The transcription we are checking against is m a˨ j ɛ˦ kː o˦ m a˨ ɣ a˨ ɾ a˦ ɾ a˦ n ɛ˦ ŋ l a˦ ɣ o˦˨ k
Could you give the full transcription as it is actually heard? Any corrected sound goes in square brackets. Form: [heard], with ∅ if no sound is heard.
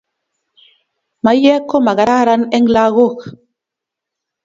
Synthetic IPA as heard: m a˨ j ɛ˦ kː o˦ m a˨ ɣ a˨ ɾ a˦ ɾ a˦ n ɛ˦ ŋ l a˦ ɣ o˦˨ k